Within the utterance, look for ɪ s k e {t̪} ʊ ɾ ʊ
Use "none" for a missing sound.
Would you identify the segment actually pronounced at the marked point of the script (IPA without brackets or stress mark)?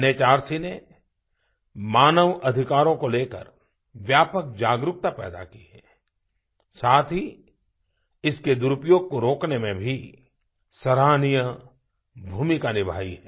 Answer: d̪